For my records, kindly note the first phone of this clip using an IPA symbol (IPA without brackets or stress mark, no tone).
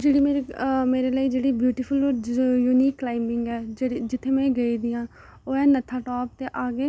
d͡ʒ